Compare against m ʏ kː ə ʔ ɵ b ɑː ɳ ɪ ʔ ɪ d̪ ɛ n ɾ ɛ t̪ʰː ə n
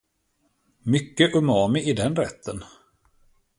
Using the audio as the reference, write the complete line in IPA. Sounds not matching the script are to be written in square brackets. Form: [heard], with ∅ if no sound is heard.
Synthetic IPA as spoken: m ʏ kː ə ʔ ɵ [m] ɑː [m] ɪ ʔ ɪ d̪ ɛ n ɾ ɛ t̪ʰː ə n